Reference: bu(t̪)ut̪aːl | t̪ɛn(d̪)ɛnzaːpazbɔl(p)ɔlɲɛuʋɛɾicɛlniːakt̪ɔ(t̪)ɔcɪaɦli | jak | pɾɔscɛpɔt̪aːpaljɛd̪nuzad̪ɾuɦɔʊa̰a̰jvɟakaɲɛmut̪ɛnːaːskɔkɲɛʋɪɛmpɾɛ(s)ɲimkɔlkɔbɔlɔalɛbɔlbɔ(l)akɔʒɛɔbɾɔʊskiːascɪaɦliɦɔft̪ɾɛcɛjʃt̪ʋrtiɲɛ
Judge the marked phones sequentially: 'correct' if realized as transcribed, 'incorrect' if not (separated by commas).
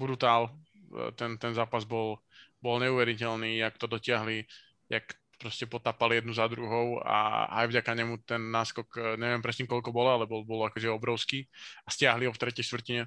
incorrect, incorrect, incorrect, incorrect, correct, correct